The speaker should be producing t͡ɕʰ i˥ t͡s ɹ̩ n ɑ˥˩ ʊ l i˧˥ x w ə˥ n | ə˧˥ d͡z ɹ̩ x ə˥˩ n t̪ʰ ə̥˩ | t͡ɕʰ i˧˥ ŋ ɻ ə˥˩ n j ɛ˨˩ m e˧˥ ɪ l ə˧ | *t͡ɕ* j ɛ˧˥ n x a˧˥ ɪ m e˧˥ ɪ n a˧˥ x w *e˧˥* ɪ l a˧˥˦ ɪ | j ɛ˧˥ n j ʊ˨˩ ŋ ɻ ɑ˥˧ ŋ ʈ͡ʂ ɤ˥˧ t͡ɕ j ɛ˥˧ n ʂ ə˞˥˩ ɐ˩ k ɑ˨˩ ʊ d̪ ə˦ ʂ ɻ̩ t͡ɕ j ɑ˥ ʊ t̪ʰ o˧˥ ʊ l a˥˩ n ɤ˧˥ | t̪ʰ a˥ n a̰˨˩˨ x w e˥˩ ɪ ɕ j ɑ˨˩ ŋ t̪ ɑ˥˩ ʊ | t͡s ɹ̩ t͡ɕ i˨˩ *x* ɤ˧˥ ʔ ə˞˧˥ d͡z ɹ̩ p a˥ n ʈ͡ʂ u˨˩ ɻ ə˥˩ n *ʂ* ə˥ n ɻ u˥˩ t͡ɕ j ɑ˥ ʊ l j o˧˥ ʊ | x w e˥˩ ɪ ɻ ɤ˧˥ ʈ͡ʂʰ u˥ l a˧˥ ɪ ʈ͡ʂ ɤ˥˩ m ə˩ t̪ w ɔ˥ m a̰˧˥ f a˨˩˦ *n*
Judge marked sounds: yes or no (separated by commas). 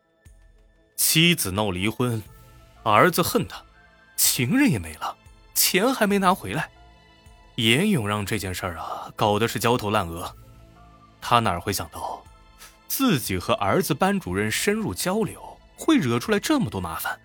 no, yes, yes, yes, yes